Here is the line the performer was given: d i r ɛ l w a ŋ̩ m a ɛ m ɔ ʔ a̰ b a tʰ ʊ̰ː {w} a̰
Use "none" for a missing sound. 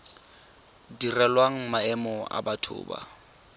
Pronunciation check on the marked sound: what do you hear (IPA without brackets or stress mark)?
b